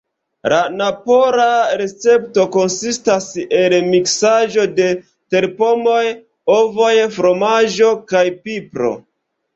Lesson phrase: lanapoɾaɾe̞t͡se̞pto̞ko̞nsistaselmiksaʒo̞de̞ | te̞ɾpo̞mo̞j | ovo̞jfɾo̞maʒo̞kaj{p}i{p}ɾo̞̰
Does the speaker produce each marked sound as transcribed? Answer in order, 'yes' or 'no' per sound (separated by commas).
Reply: yes, yes